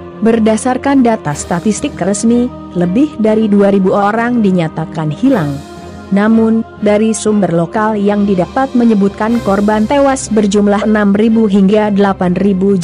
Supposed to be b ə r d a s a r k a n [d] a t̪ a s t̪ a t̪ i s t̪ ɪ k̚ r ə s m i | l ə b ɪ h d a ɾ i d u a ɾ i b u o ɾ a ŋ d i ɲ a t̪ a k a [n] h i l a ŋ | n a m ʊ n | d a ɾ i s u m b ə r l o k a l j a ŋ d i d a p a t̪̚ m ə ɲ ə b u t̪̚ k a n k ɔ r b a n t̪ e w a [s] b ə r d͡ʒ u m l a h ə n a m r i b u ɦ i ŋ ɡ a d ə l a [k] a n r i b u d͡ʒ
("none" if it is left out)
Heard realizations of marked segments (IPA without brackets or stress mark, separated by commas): d, n, s, p